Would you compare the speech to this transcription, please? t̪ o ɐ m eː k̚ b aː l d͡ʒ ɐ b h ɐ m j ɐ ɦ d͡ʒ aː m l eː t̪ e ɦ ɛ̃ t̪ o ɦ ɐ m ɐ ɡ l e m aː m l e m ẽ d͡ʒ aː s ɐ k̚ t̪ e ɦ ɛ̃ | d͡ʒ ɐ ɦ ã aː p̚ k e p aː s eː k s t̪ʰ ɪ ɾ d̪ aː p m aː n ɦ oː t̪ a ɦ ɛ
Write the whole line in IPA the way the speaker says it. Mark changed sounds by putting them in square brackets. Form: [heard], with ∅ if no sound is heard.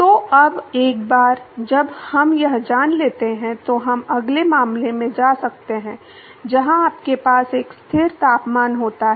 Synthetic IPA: t̪ o ɐ [b] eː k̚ b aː [ɾ] d͡ʒ ɐ b h ɐ m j ɐ ɦ d͡ʒ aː [n] l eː t̪ e ɦ ɛ̃ t̪ o ɦ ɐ m ɐ ɡ l e m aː m l e m ẽ d͡ʒ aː s ɐ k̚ t̪ e ɦ ɛ̃ | d͡ʒ ɐ ɦ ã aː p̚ k e p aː s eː k s t̪ʰ ɪ ɾ [t̪] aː p m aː n ɦ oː t̪ a ɦ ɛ